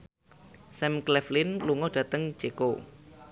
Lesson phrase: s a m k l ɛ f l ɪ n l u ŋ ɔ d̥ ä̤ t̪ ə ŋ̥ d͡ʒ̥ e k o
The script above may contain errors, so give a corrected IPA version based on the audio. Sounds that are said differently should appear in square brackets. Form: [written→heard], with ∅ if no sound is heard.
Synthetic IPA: s [a→ɛ] m k l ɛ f l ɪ n l u ŋ ɔ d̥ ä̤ t̪ ə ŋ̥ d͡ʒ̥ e k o